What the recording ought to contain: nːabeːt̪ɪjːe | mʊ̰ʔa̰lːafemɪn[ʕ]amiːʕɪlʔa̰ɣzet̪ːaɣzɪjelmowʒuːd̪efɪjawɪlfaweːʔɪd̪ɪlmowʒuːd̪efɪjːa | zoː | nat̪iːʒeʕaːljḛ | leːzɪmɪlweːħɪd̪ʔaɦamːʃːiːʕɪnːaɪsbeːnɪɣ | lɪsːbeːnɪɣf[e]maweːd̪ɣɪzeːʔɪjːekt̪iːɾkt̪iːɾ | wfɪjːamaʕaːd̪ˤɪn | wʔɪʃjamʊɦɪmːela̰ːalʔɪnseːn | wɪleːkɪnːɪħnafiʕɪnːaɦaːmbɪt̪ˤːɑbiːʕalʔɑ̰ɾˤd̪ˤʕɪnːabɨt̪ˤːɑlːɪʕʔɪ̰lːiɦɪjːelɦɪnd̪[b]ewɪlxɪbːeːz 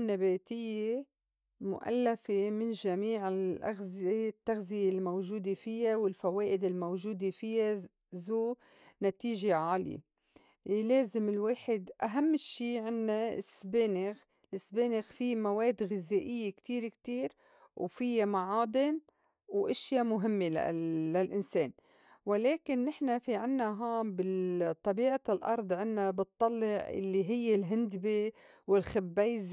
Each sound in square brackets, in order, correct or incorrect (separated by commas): incorrect, incorrect, correct